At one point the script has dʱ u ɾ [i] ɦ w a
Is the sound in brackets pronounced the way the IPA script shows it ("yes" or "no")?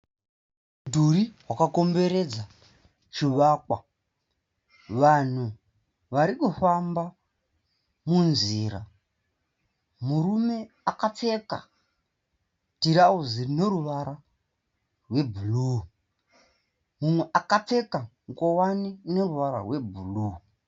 yes